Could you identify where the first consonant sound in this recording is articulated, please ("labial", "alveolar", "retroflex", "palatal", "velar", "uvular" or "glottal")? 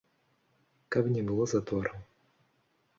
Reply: velar